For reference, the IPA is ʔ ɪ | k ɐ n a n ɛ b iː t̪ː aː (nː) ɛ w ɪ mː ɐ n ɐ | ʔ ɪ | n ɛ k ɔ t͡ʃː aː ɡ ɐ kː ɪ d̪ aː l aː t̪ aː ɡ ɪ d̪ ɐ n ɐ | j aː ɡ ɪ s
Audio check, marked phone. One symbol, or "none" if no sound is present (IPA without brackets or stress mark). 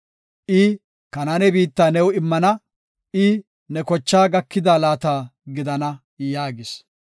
n